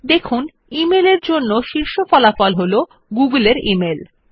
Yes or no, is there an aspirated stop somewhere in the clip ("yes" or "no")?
yes